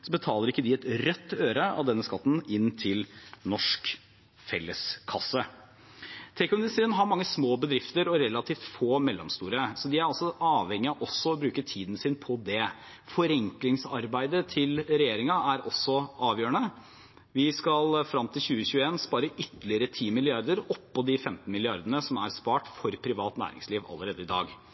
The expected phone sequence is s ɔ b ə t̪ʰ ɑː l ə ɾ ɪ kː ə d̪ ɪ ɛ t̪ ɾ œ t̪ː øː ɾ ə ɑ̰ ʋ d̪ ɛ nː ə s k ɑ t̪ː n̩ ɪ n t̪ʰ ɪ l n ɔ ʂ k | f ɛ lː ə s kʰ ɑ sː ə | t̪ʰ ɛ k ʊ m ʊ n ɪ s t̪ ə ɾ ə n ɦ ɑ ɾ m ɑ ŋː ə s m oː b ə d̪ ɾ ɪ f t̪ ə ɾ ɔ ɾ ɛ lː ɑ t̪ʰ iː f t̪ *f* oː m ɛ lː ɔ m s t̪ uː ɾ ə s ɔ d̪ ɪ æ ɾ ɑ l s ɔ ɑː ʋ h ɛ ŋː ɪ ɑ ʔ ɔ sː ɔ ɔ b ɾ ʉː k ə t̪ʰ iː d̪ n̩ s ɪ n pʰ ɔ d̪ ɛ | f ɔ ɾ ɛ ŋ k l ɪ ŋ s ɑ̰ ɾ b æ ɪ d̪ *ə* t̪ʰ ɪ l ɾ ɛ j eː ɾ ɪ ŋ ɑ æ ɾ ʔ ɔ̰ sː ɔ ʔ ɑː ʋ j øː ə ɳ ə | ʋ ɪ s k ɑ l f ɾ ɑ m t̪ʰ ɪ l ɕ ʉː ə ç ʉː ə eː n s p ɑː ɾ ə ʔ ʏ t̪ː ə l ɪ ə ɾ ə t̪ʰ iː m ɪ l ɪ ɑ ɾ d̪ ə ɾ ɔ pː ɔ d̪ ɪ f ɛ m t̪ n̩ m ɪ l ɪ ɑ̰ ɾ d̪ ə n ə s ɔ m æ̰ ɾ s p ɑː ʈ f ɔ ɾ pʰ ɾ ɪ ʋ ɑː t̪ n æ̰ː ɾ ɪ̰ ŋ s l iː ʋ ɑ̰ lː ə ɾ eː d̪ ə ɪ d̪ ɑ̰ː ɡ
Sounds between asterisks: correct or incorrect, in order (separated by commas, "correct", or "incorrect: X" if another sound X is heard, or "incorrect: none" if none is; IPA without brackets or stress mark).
correct, correct